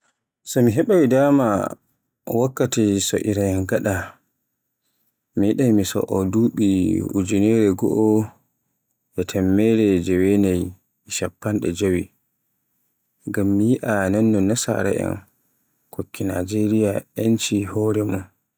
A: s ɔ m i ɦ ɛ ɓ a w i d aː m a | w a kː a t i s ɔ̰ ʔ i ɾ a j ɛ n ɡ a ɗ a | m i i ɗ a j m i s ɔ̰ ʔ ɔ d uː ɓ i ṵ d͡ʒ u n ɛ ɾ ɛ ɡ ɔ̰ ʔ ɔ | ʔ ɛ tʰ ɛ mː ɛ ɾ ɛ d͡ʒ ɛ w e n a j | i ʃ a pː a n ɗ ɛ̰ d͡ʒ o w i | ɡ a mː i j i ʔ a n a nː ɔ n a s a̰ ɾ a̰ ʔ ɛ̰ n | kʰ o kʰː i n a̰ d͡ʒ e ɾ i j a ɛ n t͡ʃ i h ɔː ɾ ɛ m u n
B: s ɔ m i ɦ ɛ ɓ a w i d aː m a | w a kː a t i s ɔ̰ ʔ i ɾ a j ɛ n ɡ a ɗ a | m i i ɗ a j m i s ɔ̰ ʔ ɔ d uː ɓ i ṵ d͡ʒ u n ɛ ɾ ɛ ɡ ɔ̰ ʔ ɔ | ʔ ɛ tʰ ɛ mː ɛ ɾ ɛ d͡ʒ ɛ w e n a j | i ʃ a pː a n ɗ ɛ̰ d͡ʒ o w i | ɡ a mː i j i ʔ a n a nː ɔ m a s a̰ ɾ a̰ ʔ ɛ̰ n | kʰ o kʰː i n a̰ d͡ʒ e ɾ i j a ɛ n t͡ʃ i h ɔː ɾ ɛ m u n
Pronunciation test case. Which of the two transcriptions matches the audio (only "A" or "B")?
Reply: A